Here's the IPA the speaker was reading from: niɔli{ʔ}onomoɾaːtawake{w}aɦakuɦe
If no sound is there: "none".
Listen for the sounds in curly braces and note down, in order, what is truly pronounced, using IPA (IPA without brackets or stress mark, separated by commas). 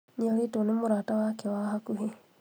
t, w